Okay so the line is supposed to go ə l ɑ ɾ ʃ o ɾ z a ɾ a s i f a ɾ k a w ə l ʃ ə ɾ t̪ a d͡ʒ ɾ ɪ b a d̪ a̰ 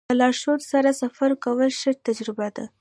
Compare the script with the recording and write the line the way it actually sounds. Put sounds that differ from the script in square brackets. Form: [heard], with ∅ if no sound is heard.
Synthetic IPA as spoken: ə l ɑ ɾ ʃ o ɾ [s] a ɾ a s [a] f a ɾ k a w ə l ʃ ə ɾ t̪ a d͡ʒ ɾ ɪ b a d̪ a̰

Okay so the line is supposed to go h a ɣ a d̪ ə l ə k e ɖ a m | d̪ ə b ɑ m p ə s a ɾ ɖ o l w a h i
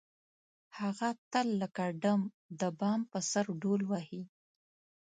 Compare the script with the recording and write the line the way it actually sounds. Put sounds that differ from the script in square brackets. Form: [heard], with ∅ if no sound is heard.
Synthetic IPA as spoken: h a ɣ a [t̪] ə [lː] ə k [a] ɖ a m | d̪ ə b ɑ m p ə s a ɾ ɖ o l w a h i

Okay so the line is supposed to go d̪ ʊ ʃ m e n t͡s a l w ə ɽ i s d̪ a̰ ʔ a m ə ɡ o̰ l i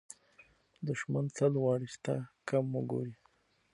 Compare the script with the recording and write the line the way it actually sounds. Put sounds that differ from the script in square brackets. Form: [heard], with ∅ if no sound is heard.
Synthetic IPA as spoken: d̪ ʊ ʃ m [a] n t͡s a l w [ɑ] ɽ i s [t̪] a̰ [k] a m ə ɡ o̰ [ɾ] i

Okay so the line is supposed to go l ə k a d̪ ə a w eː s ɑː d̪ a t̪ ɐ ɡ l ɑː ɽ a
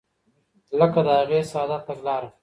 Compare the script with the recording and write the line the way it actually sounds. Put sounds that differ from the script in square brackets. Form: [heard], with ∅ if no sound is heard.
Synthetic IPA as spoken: l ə k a d̪ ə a [ɣ] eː s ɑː d̪ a t̪ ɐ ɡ l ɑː [ɾ] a

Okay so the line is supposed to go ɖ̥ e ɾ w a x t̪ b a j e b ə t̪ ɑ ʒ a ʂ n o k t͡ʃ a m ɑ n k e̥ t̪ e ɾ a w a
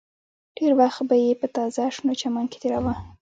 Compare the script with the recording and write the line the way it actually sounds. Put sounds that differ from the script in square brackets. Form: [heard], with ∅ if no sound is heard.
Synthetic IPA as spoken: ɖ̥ e ɾ w a x t̪ b a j e [p] ə t̪ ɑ [z] a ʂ n o [∅] t͡ʃ a m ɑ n k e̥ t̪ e ɾ a w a

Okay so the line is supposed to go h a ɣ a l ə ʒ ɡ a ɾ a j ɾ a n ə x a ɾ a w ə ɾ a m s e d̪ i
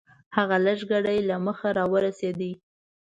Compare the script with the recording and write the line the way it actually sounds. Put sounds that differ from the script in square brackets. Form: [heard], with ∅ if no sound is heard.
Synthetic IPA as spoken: h a ɣ a l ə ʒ ɡ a [ɽ] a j [l] a [m] ə x a ɾ [ɑ] w ə ɾ a [∅] s e d̪ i

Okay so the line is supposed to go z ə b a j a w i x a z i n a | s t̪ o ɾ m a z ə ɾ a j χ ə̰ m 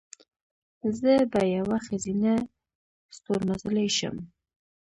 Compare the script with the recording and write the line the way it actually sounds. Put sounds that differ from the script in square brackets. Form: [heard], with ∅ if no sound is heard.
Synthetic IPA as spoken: z ə b a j a w [a] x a z i n a | s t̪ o ɾ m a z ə [l] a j [ʃ] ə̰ m

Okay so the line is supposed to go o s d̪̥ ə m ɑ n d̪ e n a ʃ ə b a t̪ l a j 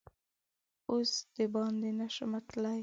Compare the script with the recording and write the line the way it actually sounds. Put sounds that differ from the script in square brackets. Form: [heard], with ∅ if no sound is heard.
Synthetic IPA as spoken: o s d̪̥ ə [b] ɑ n d̪ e n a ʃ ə [m] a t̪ l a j

